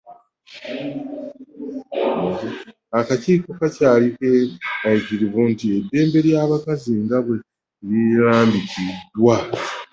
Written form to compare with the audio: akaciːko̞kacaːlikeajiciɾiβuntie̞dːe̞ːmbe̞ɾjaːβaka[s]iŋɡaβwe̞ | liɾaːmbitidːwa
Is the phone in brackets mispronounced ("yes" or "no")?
yes